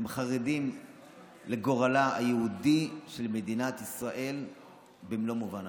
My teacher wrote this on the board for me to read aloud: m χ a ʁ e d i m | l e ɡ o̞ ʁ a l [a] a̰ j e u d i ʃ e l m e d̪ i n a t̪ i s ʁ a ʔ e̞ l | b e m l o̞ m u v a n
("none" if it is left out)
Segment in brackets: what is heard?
a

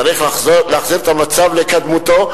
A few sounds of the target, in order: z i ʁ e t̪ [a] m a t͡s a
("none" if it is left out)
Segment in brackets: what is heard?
a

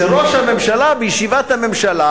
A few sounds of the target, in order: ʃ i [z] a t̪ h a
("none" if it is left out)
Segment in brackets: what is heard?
v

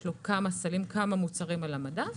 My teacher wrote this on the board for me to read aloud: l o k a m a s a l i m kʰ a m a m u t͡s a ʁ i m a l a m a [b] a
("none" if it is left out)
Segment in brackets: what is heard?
d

